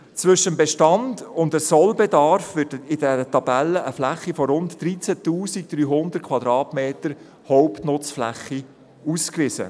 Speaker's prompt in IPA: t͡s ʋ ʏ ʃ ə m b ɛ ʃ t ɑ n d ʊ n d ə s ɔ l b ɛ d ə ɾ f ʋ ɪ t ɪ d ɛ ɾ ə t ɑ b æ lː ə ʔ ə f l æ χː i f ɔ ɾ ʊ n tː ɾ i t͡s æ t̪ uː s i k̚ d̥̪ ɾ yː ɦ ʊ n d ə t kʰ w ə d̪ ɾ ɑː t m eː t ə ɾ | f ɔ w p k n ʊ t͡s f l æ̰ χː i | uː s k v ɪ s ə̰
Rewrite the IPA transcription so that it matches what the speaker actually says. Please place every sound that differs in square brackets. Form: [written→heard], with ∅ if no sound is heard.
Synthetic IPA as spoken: t͡s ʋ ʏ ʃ ə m b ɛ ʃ t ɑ n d ʊ n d ə s ɔ l b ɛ d [ə→ɑ] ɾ f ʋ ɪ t ɪ d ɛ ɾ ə t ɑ b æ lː ə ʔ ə f l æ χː i f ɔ ɾ ʊ n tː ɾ i t͡s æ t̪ uː s i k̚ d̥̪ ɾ yː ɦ ʊ n d ə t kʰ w [ə→ɑ] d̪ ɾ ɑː t m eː t ə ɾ | [f→h] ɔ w p [k→t] n ʊ t͡s f l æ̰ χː i | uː s k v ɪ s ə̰